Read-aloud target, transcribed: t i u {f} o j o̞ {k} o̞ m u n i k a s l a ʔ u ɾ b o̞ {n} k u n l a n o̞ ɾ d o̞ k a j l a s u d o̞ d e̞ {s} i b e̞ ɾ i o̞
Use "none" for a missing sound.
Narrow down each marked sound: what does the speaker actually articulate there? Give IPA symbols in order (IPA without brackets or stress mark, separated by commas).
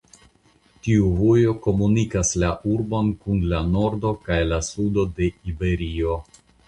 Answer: v, k, n, none